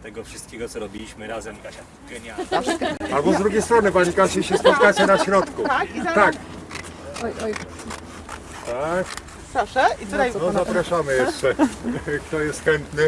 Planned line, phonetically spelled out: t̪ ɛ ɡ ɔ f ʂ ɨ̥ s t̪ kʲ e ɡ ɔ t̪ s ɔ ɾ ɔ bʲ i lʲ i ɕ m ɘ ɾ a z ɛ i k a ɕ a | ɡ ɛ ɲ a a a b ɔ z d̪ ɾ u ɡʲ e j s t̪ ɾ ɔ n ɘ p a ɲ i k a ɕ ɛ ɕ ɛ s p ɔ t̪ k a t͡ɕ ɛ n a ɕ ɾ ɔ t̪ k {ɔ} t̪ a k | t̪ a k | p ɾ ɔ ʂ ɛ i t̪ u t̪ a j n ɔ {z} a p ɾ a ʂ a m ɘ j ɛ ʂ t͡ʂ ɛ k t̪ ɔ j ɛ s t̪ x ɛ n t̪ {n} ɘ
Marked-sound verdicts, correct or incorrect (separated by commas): incorrect, correct, correct